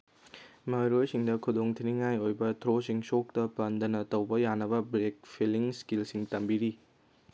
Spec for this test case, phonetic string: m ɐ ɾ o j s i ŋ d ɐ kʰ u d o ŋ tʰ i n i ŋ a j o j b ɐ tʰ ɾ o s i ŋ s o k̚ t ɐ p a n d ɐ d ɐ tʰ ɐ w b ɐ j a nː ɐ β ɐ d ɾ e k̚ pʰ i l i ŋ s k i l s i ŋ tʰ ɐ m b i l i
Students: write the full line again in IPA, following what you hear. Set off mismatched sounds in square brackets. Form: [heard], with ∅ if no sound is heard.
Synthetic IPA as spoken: m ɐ ɾ o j s i ŋ d ɐ kʰ u d o ŋ tʰ i n i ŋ a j o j b ɐ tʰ ɾ o s i ŋ s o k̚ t ɐ p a n d ɐ [n] ɐ [t] ɐ w b ɐ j a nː ɐ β ɐ [b] ɾ e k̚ pʰ i l i ŋ s k i l s i ŋ [t] ɐ m b i [ɾ] i

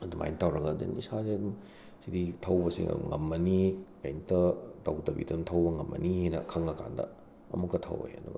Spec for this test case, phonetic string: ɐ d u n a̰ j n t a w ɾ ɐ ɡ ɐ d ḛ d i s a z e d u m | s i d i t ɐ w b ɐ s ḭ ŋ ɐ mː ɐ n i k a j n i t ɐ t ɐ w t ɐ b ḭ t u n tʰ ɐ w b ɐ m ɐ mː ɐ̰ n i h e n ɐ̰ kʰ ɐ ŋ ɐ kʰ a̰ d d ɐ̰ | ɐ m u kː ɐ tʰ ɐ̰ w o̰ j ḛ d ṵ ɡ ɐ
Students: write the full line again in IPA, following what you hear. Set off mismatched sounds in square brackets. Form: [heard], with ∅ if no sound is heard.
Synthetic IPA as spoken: ɐ d u [m] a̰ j n t a w ɾ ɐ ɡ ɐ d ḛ [n] i s a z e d u m | s i d i [tʰ] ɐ w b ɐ s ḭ ŋ ɐ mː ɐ n i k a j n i t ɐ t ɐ w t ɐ b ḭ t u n tʰ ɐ w b ɐ [ŋ] ɐ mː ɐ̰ n i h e n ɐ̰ kʰ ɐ ŋ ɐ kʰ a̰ [n] d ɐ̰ | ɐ m u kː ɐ tʰ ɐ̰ w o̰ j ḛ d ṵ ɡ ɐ

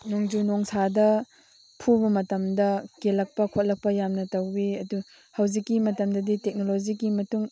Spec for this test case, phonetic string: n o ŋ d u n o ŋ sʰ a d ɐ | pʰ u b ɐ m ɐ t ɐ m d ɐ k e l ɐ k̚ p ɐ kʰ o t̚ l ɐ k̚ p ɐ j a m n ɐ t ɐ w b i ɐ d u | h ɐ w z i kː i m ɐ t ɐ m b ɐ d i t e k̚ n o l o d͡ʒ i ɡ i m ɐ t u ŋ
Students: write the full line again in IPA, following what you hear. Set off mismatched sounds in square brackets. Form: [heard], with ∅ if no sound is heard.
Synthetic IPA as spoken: n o ŋ [d͡ʒ] u n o ŋ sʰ a d ɐ | pʰ u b ɐ m ɐ t ɐ m d ɐ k e l ɐ k̚ p ɐ kʰ o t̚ l ɐ k̚ p ɐ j a m n ɐ t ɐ w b i ɐ d u | h ɐ w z i kː i m ɐ t ɐ m [d] ɐ d i t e k̚ n o l o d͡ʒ i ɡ i m ɐ t u ŋ

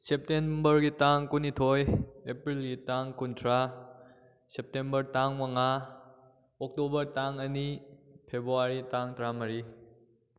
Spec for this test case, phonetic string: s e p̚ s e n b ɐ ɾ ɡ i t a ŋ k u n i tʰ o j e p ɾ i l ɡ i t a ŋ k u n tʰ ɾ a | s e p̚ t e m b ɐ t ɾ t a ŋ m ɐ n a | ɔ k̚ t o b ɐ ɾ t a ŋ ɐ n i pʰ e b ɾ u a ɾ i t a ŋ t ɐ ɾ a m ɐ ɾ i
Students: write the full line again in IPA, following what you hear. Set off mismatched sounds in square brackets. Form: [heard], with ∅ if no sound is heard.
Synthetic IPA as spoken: s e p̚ [t] e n b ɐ ɾ ɡ i t a ŋ k u n i tʰ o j e p ɾ i l ɡ i t a ŋ k u n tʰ ɾ a | s e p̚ t e m b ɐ [∅] ɾ t a ŋ m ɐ [ŋ] a | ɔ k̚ t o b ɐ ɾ t a ŋ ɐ n i pʰ e b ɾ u a ɾ i t a ŋ t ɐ ɾ a m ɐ ɾ i

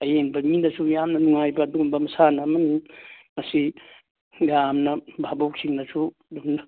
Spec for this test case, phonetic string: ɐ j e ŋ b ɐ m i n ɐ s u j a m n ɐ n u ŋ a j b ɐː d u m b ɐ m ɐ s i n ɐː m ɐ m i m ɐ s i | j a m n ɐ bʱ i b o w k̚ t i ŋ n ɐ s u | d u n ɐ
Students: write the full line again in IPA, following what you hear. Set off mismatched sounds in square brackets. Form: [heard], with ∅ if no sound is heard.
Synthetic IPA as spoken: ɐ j e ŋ b ɐ m i n ɐ s u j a m n ɐ n u ŋ a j b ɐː d u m b ɐ m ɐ s [a] n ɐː m ɐ [n] i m ɐ s i | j a m n ɐ bʱ [a] b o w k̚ [s] i ŋ n ɐ s u | d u n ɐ

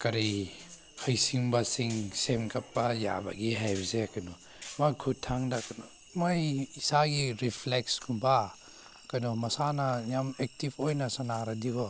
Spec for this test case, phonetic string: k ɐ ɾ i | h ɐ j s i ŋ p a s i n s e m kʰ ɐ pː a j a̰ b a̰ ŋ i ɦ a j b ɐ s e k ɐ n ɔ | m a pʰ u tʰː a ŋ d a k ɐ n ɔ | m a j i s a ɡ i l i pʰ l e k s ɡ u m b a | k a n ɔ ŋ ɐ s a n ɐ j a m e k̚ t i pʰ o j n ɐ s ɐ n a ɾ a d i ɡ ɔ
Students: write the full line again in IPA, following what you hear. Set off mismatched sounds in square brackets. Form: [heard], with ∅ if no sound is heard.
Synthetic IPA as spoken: k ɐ ɾ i | h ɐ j s i ŋ [b] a s i [ŋ] s e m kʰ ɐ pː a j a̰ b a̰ [ɡ] i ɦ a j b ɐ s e k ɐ n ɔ | m a [kʰ] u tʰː a ŋ d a k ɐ n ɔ | m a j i s a ɡ i [ɾ] i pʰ l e k s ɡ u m b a | k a n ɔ [m] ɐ s a n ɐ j a m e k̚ t i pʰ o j n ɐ s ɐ n a ɾ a d i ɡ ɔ

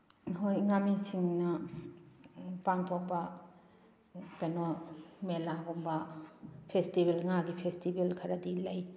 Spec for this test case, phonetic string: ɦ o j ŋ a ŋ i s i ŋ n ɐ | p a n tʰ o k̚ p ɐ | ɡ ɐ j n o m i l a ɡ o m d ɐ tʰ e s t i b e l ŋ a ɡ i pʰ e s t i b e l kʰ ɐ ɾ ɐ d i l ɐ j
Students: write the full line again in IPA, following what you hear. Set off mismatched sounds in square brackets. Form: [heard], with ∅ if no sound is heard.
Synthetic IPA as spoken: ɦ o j ŋ a [m] i s i ŋ n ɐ | p a [ŋ] tʰ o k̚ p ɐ | [k] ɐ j n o m [e] l a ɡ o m [b] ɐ [pʰ] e s t i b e l ŋ a ɡ i pʰ e s t i b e l kʰ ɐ ɾ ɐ d i l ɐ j

